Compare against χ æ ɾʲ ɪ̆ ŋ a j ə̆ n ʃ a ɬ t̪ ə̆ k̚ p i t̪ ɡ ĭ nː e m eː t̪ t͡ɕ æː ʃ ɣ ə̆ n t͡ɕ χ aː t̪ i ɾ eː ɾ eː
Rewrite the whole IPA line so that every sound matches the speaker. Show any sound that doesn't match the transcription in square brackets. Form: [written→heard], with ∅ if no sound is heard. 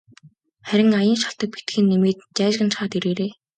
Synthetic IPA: χ æ ɾʲ ɪ̆ ŋ a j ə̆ n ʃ a ɬ t̪ ə̆ k̚ p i t̪ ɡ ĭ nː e m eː t̪ t͡ɕ æː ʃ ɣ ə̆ n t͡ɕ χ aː t̪ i ɾ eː ɾ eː

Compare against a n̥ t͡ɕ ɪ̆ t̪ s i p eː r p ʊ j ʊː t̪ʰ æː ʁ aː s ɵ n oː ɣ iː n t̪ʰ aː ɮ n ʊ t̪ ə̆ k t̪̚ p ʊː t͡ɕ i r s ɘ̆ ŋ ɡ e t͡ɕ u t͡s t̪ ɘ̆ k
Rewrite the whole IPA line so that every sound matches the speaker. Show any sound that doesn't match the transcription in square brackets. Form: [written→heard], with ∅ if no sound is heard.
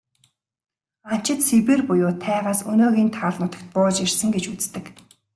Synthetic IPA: a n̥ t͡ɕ ɪ̆ t̪ s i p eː r p ʊ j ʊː t̪ʰ æː ʁ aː s ɵ n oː ɣ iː n t̪ʰ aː ɮ n ʊ t̪ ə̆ k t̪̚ p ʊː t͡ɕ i r s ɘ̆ ŋ ɡ e t͡ɕ u t͡s t̪ ɘ̆ k

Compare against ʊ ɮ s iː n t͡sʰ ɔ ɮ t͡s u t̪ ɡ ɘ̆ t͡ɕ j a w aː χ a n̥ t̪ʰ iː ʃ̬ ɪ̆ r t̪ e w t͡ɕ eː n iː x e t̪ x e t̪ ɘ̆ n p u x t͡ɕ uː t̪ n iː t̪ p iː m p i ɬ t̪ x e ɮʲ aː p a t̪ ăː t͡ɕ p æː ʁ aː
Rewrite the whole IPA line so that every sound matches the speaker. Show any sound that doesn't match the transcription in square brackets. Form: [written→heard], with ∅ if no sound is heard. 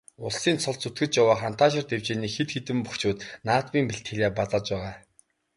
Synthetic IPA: ʊ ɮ s iː n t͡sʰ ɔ ɮ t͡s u t̪ ɡ ɘ̆ t͡ɕ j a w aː χ a n̥ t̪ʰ [iː→aː] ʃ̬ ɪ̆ r t̪ e w t͡ɕ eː n iː x e t̪ x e t̪ ɘ̆ [n→m] p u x t͡ɕ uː t̪ n [iː→aː] t̪ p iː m p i ɬ t̪ x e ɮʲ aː p a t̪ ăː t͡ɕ p æː ʁ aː

